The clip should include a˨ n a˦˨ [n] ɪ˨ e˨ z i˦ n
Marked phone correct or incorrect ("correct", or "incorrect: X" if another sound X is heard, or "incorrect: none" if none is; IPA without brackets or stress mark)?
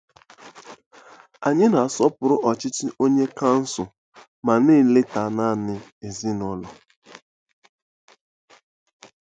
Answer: correct